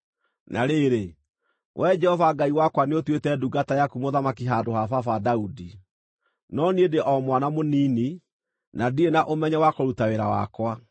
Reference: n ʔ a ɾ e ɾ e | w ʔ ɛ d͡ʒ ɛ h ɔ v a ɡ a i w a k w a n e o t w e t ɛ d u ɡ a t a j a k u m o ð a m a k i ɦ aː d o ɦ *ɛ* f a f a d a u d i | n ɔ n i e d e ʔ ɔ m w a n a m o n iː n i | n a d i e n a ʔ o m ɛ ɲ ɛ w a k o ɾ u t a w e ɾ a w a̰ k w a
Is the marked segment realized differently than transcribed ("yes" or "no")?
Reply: yes